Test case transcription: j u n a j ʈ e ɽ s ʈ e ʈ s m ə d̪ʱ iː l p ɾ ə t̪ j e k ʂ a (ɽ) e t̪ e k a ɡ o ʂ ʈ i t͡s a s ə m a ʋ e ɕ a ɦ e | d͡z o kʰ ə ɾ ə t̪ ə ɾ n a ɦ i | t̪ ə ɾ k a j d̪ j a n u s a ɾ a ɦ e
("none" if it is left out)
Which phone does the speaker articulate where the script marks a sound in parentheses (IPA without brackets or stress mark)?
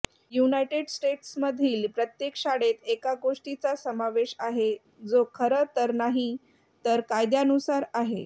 ɽ